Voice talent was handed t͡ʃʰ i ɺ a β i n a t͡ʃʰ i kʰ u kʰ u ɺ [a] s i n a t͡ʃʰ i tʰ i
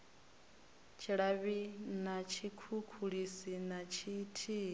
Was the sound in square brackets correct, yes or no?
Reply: no